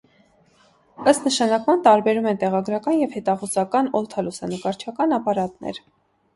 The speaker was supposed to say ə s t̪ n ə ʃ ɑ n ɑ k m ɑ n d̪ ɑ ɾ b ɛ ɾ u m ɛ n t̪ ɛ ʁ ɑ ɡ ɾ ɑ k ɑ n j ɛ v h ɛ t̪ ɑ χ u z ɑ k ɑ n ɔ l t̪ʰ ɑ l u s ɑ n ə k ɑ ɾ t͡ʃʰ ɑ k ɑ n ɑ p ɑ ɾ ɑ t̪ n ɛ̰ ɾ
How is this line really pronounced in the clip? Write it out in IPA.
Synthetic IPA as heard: ə s t̪ n ə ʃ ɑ n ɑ k m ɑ n t̪ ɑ ɾ b ɛ ɾ u m ɛ n t̪ ɛ ʁ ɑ ɡ ɾ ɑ k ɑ n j ɛ v h ɛ t̪ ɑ χ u z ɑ k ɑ n ɔ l t̪ʰ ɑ l u s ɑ n ə k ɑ ɾ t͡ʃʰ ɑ k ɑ n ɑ p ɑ ɾ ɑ t̪ n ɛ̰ ɾ